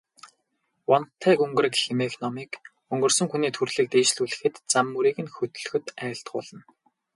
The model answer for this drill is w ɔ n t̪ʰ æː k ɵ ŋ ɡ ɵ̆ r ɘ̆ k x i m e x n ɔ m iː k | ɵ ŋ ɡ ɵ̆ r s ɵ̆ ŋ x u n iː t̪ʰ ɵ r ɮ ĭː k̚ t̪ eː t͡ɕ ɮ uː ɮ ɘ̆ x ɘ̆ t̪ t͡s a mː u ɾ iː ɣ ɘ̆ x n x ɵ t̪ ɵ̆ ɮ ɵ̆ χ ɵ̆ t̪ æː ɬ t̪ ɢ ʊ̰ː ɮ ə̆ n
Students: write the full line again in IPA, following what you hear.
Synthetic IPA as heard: w ɔ n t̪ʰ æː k ɵ ŋ ɡ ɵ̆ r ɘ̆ k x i m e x n ɔ m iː k | ɵ ŋ ɡ ɵ̆ r s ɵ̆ ŋ x u n iː t̪ʰ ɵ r ɮ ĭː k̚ t̪ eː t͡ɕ ɮ uː ɮ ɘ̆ x ɘ̆ t̪ t͡s a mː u ɾ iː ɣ ɘ̆ n x ɵ t̪ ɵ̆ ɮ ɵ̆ x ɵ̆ t̪ æː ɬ t̪ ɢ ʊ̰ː ɮ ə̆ n